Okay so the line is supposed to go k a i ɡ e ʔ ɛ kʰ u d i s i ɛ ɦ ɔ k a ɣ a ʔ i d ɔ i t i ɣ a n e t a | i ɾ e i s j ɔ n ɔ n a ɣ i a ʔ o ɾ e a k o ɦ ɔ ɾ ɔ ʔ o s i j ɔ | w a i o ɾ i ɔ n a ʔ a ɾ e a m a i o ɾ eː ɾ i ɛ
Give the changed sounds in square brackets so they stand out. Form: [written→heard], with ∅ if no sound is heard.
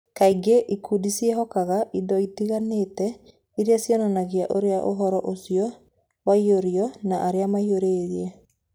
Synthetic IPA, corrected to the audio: k a i ɡ e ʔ [ɛ→i] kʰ u d i s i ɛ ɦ ɔ k a ɣ a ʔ i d ɔ i t i ɣ a n e t [a→ɛ] | i ɾ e [i→a] s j ɔ n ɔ n a ɣ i a ʔ o ɾ e a [k→ʔ] o ɦ ɔ ɾ ɔ ʔ o s i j ɔ | w a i o ɾ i ɔ n a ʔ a ɾ e a m a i o ɾ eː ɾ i ɛ